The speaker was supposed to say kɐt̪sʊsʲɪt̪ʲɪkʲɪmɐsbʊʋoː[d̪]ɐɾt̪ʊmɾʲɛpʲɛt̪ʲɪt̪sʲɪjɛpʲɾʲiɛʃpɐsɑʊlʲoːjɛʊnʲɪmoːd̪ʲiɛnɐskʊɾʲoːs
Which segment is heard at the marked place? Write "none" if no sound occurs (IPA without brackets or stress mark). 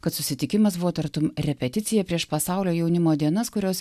t̪